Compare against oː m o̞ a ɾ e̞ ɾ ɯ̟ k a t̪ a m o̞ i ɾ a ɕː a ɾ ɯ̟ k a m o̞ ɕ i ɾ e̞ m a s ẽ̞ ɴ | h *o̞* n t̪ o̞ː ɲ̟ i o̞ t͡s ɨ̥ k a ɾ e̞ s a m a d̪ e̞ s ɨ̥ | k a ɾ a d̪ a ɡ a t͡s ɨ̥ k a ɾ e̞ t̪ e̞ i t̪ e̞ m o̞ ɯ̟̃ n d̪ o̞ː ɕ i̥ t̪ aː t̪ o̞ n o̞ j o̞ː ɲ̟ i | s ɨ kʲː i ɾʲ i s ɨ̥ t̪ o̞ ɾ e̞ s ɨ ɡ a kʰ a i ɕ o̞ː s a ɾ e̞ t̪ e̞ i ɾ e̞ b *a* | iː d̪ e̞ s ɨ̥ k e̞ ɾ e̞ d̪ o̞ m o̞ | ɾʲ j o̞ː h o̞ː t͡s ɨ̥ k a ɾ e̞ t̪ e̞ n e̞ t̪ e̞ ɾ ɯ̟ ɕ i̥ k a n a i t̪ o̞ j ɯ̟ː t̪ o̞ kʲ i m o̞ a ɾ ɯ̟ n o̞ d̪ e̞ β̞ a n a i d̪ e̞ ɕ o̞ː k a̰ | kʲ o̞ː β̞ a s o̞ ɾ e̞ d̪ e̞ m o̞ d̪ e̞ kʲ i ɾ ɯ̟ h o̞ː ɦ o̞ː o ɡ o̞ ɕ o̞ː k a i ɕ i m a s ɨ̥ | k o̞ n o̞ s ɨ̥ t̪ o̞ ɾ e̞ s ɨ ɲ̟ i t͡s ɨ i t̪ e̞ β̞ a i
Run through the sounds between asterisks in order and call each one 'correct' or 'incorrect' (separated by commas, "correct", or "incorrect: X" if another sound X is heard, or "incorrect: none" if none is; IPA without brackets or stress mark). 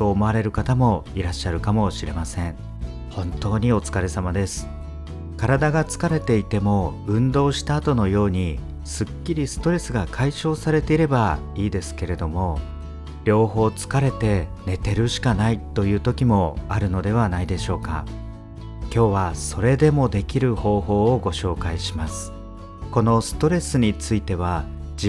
incorrect: õ̞, correct